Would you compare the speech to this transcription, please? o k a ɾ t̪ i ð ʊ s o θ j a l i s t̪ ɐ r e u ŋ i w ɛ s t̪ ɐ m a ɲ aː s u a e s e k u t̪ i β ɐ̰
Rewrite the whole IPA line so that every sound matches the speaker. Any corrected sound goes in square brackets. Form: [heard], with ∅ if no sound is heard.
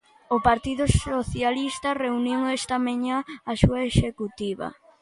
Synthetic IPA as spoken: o [p] a ɾ t̪ i ð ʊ s o θ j a l i s t̪ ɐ r e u [n] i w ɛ s t̪ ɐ m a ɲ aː s u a e [ʃ] e k u t̪ i β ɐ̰